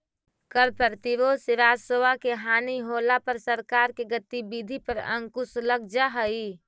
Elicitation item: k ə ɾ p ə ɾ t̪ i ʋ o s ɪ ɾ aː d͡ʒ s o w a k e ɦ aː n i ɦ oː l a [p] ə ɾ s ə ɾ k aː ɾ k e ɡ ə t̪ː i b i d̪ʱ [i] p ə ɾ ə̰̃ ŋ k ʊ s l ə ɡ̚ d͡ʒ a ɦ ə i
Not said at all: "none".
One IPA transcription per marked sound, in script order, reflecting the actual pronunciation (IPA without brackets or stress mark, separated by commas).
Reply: p, i